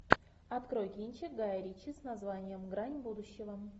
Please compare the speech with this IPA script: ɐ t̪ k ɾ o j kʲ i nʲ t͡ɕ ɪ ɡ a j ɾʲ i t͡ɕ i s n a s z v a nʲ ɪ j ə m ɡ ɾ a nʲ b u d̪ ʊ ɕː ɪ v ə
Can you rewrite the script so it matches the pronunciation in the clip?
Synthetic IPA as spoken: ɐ t̪ k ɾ o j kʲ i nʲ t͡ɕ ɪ ɡ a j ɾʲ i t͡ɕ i s n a z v a nʲ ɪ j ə m ɡ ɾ a nʲ b u d̪ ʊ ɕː ɪ v ə